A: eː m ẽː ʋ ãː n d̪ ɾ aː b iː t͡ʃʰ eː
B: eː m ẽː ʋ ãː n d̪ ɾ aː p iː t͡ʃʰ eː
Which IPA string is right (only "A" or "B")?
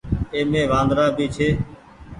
A